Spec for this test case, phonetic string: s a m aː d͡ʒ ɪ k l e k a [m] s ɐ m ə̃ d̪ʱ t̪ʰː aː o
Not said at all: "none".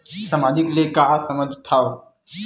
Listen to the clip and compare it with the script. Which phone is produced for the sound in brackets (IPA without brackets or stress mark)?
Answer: none